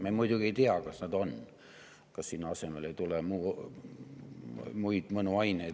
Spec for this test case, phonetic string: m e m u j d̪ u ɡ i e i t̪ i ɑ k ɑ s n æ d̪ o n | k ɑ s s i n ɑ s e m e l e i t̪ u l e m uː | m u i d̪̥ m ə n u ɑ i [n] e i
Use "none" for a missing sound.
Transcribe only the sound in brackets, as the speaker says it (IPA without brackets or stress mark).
n